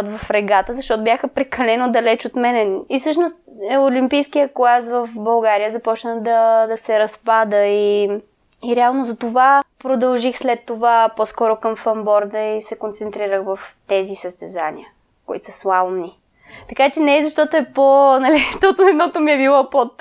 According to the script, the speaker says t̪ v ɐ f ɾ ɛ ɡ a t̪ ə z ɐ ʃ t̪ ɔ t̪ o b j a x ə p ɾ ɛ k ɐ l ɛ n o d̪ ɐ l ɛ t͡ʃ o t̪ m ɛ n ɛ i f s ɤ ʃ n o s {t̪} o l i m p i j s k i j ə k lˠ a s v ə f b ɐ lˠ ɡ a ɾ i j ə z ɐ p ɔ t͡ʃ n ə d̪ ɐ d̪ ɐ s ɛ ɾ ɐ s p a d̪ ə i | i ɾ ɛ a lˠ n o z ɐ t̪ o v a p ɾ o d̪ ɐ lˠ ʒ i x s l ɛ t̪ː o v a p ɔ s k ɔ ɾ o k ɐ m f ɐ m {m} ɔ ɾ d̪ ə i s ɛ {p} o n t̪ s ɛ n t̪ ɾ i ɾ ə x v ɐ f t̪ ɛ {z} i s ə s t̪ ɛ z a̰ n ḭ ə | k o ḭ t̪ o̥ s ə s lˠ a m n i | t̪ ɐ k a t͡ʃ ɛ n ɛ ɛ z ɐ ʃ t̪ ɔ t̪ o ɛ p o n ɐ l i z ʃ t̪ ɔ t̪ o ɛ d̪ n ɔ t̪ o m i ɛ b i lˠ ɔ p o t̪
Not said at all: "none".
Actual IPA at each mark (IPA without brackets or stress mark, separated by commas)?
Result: t̪, b, k, z